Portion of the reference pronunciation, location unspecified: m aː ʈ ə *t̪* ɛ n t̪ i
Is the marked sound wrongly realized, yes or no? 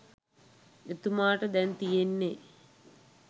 yes